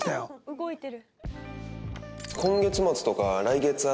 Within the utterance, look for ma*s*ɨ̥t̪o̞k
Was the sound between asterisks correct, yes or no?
no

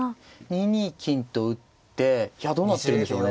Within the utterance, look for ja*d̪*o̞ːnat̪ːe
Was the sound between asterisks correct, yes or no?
yes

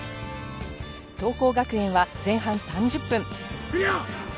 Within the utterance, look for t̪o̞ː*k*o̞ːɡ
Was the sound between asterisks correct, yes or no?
yes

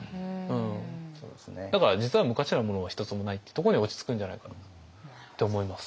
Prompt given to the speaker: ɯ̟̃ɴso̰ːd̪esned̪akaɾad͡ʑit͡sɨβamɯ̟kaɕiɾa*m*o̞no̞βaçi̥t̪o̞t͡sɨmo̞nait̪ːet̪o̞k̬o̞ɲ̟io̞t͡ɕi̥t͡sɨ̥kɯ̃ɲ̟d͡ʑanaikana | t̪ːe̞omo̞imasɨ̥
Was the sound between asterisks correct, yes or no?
yes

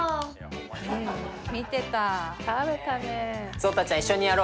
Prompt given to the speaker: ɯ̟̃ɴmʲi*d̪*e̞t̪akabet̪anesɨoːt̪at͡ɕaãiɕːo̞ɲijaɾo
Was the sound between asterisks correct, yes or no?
no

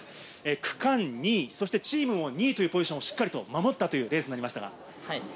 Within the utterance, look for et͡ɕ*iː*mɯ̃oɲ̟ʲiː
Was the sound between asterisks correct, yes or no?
yes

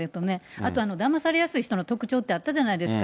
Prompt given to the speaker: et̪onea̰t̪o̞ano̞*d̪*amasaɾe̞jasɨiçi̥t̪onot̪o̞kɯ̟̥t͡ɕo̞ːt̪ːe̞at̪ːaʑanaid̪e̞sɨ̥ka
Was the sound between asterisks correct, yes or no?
yes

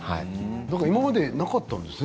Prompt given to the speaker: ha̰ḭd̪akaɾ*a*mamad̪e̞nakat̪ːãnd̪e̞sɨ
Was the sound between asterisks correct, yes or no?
no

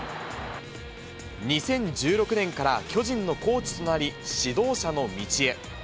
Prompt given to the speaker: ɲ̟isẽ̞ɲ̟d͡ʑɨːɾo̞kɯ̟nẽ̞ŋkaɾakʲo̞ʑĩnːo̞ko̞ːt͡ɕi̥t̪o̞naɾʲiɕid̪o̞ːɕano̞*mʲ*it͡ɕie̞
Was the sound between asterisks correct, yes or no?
yes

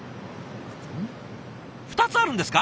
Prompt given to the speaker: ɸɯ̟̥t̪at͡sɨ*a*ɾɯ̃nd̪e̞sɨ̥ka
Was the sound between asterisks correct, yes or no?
yes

